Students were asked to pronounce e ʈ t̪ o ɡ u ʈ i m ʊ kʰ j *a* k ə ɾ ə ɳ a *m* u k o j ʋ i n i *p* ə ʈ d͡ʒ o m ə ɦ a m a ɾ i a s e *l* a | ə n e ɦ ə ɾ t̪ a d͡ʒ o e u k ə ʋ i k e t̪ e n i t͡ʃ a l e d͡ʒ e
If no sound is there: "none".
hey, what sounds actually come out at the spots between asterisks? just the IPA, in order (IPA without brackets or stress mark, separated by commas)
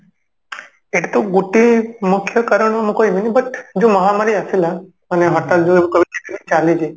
ə, m, b, l